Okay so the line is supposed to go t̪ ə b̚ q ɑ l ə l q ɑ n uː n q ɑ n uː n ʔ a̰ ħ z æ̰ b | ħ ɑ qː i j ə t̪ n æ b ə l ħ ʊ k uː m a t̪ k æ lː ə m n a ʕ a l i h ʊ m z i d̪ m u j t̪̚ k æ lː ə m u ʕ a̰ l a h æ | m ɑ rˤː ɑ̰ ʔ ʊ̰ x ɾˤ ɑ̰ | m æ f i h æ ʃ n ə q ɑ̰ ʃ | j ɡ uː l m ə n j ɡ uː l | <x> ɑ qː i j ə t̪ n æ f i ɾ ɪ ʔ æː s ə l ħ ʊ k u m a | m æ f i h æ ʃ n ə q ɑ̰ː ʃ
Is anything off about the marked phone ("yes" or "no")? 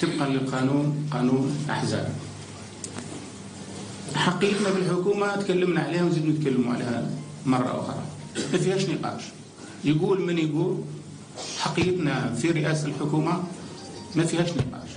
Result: yes